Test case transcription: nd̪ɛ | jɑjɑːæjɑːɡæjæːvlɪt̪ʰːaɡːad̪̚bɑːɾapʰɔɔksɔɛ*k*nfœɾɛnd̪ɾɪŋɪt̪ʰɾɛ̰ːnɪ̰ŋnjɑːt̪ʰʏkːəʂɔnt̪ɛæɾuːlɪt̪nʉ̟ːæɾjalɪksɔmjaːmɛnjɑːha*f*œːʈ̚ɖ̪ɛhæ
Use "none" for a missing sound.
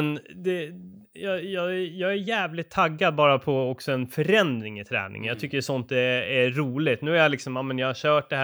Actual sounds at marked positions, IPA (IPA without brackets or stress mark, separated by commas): none, ɕ